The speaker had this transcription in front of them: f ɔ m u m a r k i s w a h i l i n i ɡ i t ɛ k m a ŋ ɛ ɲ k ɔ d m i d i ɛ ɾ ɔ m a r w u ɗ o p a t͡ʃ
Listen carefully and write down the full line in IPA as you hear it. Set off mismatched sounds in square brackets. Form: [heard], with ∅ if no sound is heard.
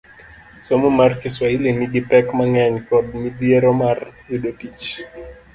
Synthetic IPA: [s] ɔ m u m a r k i s w a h i l i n i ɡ i [p] ɛ k m a ŋ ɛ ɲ k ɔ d m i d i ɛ ɾ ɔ m a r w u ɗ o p [i] t͡ʃ